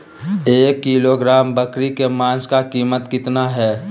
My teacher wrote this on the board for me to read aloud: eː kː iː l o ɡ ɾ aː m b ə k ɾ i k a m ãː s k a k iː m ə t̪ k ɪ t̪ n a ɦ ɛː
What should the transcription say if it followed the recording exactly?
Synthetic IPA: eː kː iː l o ɡ ɾ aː m b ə k ɾ i k e m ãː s k a k iː m ə t̪ k ɪ t̪ n a ɦ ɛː